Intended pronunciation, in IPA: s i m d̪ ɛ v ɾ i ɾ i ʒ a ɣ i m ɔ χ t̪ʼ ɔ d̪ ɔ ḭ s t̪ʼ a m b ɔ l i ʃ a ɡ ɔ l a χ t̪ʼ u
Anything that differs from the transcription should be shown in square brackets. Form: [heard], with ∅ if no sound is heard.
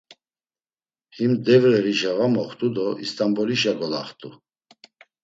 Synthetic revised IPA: [h] i m d̪ ɛ v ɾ [ɛ] ɾ i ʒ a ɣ [a] m ɔ χ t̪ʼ [u] d̪ ɔ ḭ s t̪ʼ a m b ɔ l i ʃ a ɡ ɔ l a χ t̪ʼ u